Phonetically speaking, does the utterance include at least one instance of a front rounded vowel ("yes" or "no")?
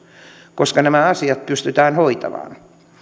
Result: yes